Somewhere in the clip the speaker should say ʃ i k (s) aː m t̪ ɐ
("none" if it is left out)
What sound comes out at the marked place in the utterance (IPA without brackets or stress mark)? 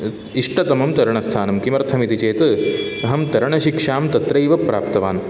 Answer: ʂ